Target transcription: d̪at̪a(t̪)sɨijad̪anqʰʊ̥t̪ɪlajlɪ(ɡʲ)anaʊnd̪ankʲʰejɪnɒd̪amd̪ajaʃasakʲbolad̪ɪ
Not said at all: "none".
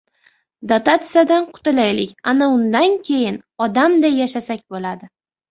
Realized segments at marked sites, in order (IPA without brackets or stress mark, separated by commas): t̪, kʲ